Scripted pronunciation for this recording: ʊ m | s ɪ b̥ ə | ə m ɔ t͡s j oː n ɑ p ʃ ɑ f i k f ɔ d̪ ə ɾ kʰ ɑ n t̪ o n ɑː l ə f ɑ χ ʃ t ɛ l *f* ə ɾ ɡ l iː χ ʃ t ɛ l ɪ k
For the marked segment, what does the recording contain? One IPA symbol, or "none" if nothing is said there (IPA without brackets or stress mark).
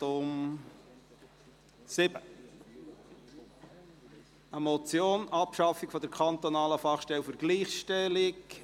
f